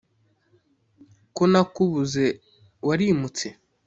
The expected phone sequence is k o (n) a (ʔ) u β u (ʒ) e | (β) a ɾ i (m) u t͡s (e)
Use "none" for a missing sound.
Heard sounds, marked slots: n, k, z, w, m, e

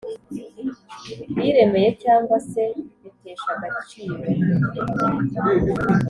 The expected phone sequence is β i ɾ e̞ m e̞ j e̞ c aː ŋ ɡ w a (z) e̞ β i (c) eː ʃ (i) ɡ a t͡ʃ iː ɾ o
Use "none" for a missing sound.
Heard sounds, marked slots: s, t, a

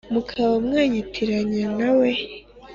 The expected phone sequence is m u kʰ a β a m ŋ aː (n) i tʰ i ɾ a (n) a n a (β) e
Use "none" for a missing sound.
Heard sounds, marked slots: ɲ, ɲ, w

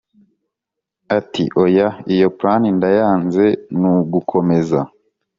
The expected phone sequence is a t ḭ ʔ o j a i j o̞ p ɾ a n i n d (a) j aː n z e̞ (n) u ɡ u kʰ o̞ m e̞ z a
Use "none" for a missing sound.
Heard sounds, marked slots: a, n

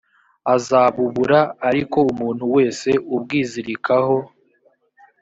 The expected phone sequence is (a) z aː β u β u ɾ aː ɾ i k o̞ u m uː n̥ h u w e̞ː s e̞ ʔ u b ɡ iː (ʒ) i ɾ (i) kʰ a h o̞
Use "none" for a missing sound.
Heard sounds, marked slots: a, z, i

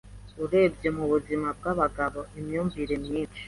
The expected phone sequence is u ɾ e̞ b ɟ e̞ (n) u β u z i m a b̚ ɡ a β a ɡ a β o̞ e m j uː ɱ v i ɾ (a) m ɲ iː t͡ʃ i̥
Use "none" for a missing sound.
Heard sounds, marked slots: m, e

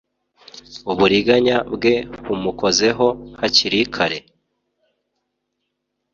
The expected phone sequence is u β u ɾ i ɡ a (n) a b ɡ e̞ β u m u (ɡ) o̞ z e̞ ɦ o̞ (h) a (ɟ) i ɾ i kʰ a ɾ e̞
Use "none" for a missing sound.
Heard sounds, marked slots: ɲ, k, h, c

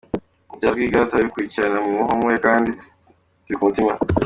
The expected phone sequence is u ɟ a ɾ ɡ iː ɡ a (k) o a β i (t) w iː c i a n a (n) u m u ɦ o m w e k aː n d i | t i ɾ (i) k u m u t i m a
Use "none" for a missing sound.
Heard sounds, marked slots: t, k, m, i

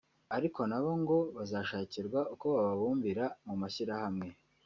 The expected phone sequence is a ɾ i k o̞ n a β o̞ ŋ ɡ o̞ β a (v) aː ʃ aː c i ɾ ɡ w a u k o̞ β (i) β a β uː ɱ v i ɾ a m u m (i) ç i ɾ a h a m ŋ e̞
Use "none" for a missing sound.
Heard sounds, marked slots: z, a, a

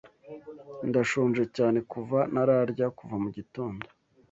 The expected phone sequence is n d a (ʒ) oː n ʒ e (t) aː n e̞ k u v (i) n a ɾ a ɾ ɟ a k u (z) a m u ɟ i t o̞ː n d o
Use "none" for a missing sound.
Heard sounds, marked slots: ʃ, c, a, v

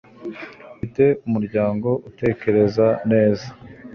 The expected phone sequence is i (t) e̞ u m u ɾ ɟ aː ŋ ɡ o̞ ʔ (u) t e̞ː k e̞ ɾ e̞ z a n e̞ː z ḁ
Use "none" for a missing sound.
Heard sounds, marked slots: t, u

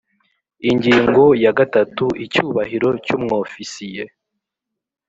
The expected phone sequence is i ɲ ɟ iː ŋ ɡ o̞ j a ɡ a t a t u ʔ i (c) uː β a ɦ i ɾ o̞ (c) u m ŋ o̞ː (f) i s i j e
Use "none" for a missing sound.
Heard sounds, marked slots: c, c, f

